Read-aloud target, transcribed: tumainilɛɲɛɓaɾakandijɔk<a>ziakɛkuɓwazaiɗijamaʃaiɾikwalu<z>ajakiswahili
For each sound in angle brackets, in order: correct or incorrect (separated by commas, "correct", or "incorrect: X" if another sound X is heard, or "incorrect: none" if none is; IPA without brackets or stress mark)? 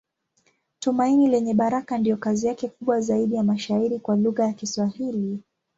correct, incorrect: ɣ